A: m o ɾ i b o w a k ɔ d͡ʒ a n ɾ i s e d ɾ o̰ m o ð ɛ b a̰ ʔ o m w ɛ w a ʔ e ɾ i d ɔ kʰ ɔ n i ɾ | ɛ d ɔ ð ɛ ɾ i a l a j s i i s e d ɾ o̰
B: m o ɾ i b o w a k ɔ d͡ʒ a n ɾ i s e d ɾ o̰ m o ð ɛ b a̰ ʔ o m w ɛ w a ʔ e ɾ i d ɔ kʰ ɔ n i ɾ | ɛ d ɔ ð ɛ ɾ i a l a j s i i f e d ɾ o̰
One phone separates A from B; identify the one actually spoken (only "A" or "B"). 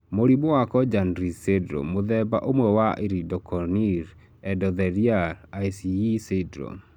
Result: A